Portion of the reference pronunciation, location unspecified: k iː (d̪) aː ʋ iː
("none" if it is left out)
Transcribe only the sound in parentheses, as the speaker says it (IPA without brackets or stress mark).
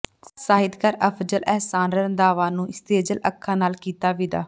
t̪